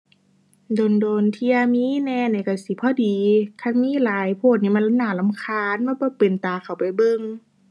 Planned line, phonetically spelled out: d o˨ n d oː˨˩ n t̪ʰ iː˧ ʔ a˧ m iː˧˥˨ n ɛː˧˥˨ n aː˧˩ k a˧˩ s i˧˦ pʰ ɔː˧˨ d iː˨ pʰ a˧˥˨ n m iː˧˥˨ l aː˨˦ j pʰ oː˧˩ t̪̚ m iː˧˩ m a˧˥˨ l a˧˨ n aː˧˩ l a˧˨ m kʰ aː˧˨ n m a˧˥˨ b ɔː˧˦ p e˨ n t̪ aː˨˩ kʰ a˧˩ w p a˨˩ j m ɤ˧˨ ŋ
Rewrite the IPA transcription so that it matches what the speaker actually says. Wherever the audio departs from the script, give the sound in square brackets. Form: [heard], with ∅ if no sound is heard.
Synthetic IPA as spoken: d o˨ n d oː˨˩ n t̪ʰ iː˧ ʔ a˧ m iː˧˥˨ n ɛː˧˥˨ n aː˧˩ k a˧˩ s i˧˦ pʰ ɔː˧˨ d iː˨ [kʰ] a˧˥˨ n m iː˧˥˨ l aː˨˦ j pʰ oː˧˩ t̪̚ [n] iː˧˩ m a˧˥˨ l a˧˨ n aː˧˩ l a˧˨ m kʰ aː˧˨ n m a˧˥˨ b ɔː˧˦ p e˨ n t̪ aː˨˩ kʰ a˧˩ w p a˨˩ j [b] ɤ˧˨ ŋ